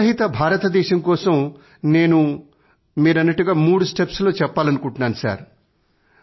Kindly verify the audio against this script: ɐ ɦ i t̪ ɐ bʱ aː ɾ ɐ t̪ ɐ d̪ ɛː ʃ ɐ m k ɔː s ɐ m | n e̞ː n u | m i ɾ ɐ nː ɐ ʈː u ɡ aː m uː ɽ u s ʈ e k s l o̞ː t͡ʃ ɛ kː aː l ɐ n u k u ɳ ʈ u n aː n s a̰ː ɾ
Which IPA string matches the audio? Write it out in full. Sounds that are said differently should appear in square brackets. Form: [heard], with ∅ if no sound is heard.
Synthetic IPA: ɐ ɦ i t̪ ɐ bʱ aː ɾ ɐ t̪ ɐ d̪ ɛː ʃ ɐ m k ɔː s ɐ m | n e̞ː n u | m [iː] ɾ ɐ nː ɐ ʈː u ɡ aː m uː ɽ u s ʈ e [p] s l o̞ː t͡ʃ ɛ [pː] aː l ɐ n u k u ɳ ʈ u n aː n s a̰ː ɾ

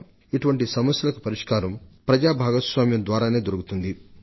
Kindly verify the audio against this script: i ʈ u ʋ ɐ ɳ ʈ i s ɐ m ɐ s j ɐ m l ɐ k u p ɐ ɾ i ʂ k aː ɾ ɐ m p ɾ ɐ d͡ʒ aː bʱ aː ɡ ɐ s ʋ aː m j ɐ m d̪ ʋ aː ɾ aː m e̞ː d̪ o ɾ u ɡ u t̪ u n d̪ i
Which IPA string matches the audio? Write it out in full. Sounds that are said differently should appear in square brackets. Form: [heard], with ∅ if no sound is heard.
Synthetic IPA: i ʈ u ʋ ɐ ɳ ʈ i s ɐ m ɐ s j ɐ [∅] l ɐ k u p ɐ ɾ i ʂ k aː ɾ ɐ m p ɾ ɐ d͡ʒ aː bʱ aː ɡ ɐ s ʋ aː m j ɐ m d̪ ʋ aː ɾ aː [n] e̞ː d̪ o ɾ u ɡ u t̪ u n d̪ i

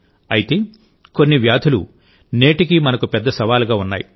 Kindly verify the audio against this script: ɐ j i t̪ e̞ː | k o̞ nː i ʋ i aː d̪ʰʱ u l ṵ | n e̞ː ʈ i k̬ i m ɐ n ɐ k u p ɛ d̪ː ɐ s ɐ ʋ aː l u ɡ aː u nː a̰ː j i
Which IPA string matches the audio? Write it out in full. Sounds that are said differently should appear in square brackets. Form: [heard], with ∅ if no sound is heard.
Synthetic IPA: ɐ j i t̪ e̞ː | k o̞ nː i ʋ [j] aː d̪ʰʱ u l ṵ | n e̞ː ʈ i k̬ i m ɐ n ɐ k u p ɛ d̪ː ɐ s ɐ ʋ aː l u ɡ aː u nː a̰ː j i

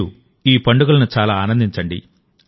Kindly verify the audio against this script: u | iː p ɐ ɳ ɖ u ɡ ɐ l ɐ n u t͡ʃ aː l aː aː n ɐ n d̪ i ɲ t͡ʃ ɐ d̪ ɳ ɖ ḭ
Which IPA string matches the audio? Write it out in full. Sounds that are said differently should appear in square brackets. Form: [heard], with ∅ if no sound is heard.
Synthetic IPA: u | iː p ɐ ɳ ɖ u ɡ ɐ l ɐ n u t͡ʃ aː l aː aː n ɐ n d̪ i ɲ t͡ʃ ɐ [∅] ɳ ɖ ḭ

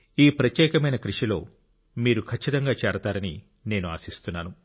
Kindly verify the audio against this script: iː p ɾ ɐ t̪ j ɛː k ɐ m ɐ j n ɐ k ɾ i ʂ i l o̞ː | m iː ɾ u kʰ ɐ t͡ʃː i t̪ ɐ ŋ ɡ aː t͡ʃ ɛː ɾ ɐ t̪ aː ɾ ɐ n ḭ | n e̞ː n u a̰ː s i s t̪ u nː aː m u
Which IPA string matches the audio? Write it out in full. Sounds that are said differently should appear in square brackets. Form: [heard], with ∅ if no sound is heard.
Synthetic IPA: iː p ɾ ɐ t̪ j ɛː k ɐ m ɐ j n ɐ k ɾ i ʂ i l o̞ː | m iː ɾ u kʰ ɐ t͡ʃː i t̪ ɐ ŋ ɡ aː t͡ʃ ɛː ɾ ɐ t̪ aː ɾ ɐ n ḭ | n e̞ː n u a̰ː s i s t̪ u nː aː [n] u

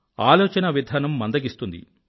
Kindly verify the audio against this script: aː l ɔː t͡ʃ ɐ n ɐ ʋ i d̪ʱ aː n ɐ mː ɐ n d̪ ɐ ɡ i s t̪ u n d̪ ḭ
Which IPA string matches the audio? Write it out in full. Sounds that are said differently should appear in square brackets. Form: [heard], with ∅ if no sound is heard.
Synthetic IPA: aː l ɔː t͡ʃ ɐ n ɐ ʋ i d̪ʱ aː n ɐ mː ɐ n d̪ ɐ ɡ i s t̪ u n d̪ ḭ

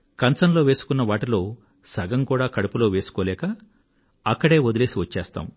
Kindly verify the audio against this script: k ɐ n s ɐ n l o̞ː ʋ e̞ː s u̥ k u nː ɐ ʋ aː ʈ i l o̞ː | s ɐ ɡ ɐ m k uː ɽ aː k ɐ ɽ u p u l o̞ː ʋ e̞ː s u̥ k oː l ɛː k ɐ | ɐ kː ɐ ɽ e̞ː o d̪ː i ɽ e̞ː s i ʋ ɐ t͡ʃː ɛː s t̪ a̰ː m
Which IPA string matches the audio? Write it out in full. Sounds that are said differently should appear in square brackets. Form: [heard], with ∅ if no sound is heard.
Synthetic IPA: k ɐ n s ɐ n l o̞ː ʋ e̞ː s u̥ k u nː ɐ ʋ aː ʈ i l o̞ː | s ɐ ɡ ɐ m k uː ɽ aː k ɐ ɽ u p u l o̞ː ʋ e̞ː s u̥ k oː l ɛː k ɐ | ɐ kː ɐ ɽ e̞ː o [d̪] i [l] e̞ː s i ʋ ɐ t͡ʃː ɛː s t̪ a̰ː m

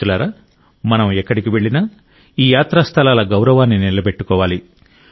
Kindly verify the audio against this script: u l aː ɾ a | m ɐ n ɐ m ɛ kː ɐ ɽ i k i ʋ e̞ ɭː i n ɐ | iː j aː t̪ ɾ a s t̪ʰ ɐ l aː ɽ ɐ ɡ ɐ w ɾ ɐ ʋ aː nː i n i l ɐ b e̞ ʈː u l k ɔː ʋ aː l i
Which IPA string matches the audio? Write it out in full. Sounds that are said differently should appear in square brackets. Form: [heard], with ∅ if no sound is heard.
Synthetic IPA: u l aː ɾ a | m ɐ n ɐ m ɛ kː ɐ ɽ i k i ʋ e̞ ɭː i n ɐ | iː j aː t̪ ɾ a s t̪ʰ ɐ l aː [l] ɐ ɡ ɐ w ɾ ɐ ʋ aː nː i n i l ɐ b e̞ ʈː u [∅] k ɔː ʋ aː l i

